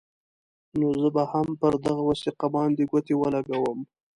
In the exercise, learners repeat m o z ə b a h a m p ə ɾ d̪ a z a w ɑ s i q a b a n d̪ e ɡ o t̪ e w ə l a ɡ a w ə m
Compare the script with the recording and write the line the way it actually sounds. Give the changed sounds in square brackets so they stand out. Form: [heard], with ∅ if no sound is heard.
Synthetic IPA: [n] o z ə b a h a m p ə ɾ d̪ a [ɣ] a w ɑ s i q a b [ɑ] n d̪ e ɡ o t̪ e w ə l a ɡ a w ə m